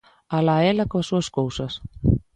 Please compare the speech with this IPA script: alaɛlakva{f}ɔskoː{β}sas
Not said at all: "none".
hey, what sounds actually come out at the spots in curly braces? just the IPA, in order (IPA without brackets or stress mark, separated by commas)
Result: s, w